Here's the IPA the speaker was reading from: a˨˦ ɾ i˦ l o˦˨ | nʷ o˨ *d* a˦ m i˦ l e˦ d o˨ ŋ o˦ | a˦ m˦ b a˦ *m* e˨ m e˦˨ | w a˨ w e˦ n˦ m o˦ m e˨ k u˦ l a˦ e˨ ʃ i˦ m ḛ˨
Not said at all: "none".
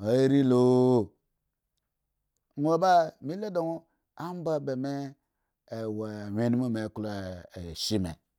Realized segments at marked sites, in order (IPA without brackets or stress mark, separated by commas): b, b